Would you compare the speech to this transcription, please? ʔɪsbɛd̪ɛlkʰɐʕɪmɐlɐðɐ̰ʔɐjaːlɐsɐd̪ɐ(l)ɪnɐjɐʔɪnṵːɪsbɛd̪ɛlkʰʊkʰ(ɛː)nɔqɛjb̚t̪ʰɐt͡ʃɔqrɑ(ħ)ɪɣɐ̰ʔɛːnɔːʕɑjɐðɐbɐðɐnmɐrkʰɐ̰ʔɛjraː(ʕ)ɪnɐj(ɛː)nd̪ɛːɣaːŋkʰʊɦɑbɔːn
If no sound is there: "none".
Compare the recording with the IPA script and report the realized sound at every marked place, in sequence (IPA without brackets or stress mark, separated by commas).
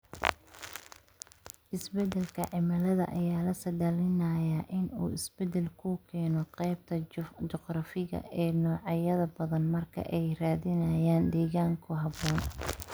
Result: l, ɛː, f, ð, aː